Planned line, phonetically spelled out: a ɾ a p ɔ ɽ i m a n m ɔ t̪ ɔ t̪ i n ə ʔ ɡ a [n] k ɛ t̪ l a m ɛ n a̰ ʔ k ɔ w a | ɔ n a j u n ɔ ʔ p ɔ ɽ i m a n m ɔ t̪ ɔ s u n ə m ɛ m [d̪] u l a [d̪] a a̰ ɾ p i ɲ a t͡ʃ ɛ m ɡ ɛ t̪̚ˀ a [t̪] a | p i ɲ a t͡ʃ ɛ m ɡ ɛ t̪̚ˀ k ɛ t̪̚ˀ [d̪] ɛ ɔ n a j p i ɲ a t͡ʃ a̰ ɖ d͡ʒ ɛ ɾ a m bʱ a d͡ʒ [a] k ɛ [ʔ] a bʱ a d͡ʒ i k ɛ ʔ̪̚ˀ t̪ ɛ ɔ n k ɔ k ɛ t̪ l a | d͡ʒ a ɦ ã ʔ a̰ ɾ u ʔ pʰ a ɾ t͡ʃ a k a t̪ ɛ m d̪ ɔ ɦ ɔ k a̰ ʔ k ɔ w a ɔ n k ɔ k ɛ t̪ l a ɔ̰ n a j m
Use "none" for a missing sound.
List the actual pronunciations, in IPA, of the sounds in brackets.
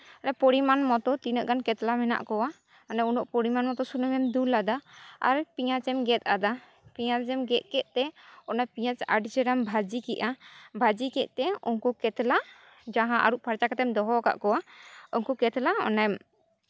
n, d̪, d̪, d̪, t̪, i, ʔ

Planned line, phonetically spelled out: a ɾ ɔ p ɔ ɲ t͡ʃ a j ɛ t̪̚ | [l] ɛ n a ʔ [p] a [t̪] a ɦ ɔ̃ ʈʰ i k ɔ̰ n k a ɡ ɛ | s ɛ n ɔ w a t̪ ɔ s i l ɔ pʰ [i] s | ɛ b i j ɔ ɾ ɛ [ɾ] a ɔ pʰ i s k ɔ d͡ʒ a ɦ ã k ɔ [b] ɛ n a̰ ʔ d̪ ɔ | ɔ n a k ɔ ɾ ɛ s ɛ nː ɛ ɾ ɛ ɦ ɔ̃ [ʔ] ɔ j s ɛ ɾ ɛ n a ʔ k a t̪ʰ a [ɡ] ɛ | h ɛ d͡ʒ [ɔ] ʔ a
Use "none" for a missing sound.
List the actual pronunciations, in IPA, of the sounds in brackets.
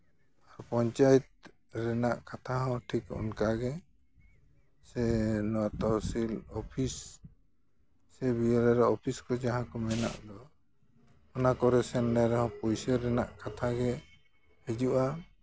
ɾ, k, t̪ʰ, i, ɾ, m, p, ɡ, u

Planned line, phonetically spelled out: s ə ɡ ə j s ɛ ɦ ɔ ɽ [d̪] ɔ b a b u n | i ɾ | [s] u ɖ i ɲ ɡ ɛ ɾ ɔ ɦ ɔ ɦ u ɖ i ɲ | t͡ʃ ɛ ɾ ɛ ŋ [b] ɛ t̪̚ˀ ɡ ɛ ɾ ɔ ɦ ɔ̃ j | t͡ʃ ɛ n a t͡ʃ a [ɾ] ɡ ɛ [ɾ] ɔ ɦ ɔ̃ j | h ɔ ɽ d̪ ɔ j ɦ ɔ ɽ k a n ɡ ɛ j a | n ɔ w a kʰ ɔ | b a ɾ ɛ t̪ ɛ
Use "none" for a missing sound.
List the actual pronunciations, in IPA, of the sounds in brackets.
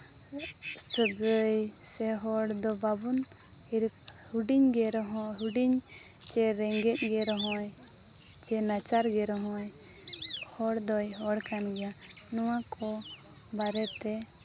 d̪, h, ɡ, ɾ, ɾ

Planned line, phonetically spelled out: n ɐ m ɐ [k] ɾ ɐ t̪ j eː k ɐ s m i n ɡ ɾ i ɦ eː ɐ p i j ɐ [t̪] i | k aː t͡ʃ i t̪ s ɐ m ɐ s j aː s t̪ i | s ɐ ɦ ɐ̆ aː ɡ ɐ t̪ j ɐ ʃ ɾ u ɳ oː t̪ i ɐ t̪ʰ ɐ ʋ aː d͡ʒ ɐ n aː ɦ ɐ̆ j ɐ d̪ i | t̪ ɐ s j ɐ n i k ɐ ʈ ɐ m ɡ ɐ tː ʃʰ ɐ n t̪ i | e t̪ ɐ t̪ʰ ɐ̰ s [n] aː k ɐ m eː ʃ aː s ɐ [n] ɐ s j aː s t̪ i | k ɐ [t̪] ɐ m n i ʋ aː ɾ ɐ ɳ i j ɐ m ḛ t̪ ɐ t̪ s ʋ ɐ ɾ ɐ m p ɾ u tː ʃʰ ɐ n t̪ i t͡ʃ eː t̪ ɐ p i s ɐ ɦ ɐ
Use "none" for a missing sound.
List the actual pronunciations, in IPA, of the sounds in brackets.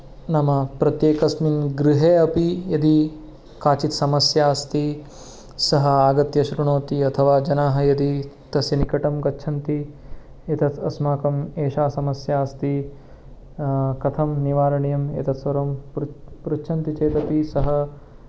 p, d̪, m, m, t̪ʰ

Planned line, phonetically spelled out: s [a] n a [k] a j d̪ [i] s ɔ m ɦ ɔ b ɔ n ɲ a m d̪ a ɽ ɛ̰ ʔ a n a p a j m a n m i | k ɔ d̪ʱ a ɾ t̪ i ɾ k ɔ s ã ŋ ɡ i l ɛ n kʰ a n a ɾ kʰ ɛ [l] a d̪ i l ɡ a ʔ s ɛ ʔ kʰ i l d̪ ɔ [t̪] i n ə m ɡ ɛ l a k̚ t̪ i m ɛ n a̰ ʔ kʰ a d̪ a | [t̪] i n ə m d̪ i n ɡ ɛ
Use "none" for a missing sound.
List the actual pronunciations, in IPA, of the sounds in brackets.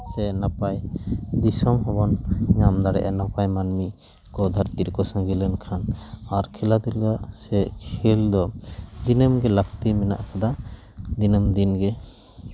ɛ, p, i, l, d̪, d̪

